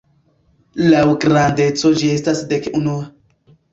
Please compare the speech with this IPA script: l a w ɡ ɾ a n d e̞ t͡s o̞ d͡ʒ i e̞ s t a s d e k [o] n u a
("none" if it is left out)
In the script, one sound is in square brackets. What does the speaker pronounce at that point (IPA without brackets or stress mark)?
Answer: u